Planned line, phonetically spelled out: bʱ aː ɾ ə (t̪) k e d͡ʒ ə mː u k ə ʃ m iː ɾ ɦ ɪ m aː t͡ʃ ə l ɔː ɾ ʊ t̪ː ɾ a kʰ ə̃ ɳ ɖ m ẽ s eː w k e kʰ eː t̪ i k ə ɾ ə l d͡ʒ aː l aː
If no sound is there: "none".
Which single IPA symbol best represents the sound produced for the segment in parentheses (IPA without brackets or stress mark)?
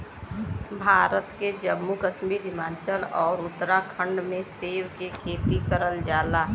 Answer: t̪